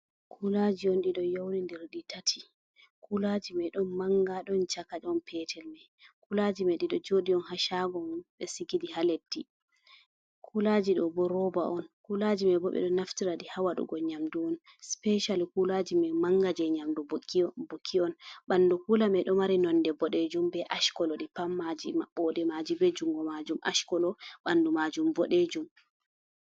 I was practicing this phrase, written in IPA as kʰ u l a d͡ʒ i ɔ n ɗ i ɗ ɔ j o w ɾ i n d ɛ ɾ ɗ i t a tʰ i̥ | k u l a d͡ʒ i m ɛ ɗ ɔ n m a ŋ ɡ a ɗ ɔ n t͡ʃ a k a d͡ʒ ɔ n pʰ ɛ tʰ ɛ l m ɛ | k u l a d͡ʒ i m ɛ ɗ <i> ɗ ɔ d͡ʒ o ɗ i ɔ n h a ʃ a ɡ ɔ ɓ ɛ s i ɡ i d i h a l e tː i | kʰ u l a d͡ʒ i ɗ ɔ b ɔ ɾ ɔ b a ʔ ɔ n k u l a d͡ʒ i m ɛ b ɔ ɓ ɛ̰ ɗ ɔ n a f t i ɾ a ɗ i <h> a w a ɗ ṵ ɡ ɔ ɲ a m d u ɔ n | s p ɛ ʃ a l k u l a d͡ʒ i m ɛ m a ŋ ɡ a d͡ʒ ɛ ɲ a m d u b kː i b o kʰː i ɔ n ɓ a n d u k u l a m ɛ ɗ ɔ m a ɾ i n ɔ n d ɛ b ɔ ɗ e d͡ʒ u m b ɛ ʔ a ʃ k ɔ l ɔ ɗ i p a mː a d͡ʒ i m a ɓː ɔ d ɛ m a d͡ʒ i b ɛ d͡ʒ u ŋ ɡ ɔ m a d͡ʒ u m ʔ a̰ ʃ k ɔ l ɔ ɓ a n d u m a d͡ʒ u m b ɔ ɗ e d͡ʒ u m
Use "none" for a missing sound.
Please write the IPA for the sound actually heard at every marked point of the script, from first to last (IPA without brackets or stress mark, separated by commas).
i, h